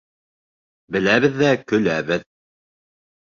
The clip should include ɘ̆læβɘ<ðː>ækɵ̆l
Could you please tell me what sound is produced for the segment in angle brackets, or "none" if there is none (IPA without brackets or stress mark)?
ðː